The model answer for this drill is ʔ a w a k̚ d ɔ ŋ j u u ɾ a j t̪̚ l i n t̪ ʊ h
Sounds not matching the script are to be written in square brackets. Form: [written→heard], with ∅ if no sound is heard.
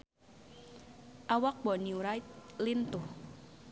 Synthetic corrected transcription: ʔ a w a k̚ [d→b] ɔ [ŋ→n] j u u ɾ a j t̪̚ l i n t̪ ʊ h